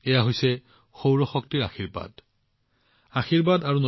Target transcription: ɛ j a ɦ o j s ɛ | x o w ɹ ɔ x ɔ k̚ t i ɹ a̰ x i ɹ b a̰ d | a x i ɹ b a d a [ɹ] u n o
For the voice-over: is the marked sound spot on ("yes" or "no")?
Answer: yes